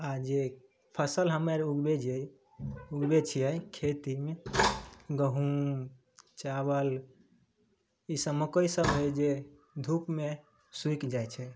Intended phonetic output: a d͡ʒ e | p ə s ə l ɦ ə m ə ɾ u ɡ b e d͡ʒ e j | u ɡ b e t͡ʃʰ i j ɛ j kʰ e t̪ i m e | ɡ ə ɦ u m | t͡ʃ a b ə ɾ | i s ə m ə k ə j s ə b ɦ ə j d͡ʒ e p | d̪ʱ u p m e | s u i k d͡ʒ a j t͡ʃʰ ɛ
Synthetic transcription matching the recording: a d͡ʒ e | pʰ ə s ə l ɦ ə m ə ɾ u ɡ b e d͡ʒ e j | u ɡ b e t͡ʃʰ i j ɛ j kʰ e t̪ i m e | ɡ ə ɦ u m | t͡ʃ a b ə l | i s ə m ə k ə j s ə b ɦ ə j d͡ʒ e | d̪ʱ u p m e | s u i k d͡ʒ a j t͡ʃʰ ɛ